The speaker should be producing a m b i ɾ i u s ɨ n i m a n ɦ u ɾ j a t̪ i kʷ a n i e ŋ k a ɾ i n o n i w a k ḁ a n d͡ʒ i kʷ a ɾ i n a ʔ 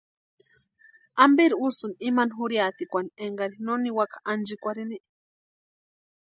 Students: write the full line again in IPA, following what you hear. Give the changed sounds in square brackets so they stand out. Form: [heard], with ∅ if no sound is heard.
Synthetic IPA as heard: a m b i ɾ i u s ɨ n i m a n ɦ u ɾ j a t̪ i kʷ a n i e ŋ [ɡ] a ɾ i n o n i w a k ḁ a n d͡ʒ i kʷ a ɾ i n [i] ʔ